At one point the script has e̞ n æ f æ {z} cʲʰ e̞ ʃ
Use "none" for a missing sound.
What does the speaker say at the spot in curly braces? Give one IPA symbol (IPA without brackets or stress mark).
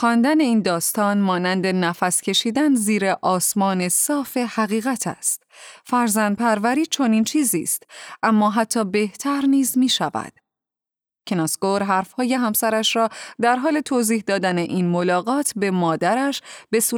s